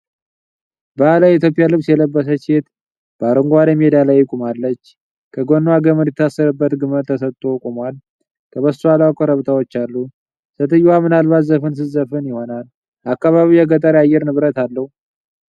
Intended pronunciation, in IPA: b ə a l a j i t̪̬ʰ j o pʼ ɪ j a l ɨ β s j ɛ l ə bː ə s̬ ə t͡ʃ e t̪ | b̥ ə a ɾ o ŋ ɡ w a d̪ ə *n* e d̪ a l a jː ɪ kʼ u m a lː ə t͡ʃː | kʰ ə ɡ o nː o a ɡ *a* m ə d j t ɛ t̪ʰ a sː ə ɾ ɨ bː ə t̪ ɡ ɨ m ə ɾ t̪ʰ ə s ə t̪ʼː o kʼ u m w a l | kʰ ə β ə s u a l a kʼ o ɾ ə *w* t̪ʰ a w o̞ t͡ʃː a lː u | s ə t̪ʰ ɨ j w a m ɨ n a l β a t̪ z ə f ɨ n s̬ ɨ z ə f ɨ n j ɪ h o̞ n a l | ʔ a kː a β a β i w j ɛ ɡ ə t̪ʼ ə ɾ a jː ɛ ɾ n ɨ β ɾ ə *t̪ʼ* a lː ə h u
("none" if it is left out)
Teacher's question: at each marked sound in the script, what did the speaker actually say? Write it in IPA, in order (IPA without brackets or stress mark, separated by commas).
m, ə, β, t̪